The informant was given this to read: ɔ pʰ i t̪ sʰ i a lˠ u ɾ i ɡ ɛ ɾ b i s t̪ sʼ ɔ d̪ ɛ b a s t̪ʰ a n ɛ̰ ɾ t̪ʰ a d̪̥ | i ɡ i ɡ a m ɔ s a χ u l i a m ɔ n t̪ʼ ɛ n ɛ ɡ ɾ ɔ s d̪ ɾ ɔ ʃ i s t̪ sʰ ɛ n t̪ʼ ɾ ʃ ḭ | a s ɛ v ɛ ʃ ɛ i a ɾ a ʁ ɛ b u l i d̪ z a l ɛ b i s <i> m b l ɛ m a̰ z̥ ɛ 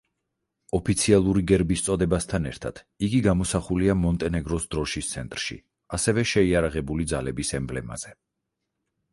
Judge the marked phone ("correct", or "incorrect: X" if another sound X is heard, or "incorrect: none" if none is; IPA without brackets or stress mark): incorrect: ɛ